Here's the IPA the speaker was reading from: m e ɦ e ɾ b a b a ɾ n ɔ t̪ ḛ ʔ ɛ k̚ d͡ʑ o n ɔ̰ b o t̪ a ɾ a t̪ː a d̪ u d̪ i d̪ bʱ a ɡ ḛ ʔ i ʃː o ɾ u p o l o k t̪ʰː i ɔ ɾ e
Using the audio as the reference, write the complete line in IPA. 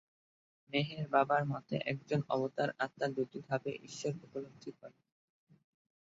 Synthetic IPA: m e ɦ e ɾ b a b a ɾ m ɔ t̪ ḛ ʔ ɛ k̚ d͡ʑ o n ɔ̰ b o t̪ a ɾ a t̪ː a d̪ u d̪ i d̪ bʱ a b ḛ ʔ i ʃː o ɾ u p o l o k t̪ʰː i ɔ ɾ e